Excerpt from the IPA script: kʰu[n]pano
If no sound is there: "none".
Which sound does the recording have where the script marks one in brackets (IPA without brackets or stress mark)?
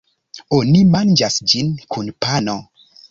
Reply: n